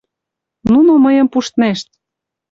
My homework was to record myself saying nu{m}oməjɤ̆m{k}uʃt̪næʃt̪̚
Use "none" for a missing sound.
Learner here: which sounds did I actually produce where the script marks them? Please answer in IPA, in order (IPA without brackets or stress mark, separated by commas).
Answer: n, p